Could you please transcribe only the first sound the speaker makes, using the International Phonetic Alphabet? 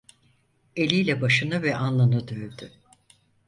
e̞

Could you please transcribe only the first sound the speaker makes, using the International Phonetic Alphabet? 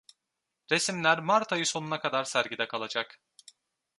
ɾ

